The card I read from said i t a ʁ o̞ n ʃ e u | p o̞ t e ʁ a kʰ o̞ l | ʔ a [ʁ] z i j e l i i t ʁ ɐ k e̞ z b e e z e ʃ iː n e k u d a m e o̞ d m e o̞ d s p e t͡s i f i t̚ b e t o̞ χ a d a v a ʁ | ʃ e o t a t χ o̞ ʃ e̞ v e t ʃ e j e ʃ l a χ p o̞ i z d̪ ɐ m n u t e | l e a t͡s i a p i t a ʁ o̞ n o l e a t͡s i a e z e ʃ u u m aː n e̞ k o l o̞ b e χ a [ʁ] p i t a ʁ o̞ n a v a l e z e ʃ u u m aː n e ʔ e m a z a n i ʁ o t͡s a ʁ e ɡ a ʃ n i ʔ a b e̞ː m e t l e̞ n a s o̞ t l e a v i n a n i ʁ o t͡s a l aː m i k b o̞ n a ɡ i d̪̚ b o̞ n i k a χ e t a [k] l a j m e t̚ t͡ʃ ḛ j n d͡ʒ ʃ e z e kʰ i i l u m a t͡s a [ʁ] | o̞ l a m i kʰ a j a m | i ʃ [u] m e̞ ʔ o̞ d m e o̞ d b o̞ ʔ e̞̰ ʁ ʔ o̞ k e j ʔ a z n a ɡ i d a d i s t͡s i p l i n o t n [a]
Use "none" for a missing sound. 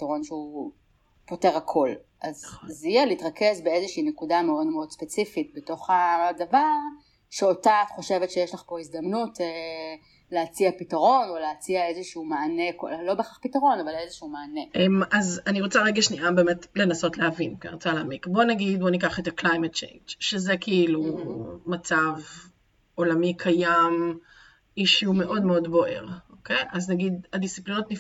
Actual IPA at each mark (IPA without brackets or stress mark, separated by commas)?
z, χ, k, v, u, i